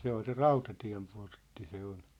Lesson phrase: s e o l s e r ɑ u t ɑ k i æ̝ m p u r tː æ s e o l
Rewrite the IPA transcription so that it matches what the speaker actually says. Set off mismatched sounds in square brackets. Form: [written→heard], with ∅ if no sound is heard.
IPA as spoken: s e o l s e r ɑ u t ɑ [k→t] i æ̝ m p [u→o] r tː [æ→i] s e o l